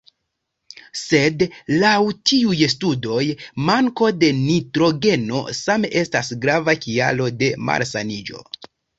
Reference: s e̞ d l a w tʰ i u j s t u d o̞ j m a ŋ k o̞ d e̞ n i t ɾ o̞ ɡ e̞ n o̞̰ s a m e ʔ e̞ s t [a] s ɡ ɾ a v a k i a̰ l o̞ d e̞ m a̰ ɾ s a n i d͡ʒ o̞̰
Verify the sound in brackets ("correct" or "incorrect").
correct